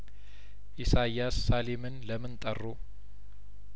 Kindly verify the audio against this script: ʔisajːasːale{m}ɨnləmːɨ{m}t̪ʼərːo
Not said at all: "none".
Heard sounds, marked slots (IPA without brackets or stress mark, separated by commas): m, n